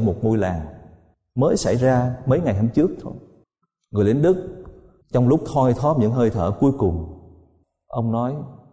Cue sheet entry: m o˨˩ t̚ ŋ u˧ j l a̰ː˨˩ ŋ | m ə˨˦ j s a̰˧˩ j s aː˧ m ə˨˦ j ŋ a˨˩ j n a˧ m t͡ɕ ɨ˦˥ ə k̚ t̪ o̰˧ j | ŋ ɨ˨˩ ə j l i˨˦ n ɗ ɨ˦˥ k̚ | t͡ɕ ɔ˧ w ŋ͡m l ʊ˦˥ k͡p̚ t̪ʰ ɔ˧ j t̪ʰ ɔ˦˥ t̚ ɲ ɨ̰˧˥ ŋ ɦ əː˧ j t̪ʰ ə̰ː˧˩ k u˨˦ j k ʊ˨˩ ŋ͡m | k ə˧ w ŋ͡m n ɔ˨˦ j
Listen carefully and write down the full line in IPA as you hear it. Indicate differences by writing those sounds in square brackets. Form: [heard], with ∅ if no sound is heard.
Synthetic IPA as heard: m o˨˩ t̚ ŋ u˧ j l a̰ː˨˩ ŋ | m [əː˨˦] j s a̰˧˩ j [z] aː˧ m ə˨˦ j ŋ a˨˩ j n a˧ m t͡ɕ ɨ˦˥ ə k̚ [t̪ʰ] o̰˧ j | ŋ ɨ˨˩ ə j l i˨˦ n ɗ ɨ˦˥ k̚ | t͡ɕ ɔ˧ w ŋ͡m l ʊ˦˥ k͡p̚ t̪ʰ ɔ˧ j t̪ʰ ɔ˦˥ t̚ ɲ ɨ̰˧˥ ŋ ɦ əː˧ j t̪ʰ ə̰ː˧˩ k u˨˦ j k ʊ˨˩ ŋ͡m | [ʔ] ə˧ w ŋ͡m n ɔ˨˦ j